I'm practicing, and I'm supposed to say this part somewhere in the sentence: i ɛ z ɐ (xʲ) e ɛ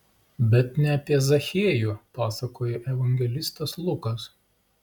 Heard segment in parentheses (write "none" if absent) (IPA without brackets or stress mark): xʲ